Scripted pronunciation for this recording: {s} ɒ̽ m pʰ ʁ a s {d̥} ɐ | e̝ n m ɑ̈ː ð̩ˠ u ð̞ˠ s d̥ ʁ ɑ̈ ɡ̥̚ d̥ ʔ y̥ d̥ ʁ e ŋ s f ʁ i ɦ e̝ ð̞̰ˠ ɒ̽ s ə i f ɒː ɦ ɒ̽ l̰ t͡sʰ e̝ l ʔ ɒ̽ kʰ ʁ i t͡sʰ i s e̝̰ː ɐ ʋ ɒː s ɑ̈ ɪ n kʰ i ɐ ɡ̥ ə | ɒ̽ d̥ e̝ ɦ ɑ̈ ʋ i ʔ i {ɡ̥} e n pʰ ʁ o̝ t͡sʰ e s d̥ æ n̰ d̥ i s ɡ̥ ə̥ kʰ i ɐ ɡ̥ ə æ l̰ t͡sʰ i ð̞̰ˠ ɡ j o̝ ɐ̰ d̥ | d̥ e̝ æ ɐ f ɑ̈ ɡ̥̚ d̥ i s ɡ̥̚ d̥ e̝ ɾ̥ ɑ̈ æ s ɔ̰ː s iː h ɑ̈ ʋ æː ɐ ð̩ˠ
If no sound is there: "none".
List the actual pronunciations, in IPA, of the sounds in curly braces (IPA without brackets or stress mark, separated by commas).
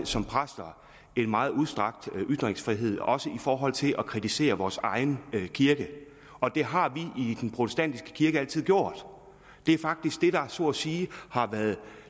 s, d̥, d̥